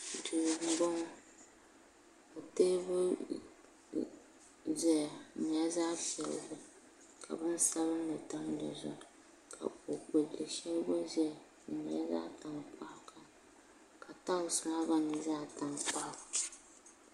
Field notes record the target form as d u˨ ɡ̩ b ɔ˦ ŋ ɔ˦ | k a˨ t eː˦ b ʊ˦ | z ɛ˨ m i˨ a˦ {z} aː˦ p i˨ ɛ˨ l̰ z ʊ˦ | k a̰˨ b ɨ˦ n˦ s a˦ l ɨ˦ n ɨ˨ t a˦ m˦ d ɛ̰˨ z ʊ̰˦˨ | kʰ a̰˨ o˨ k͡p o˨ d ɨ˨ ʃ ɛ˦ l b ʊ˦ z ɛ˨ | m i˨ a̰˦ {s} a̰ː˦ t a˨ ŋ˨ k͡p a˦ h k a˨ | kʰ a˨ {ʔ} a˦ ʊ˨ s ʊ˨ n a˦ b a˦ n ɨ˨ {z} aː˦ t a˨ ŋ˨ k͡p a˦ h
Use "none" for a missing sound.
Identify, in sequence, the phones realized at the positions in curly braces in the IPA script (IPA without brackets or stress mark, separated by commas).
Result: z, z, t, z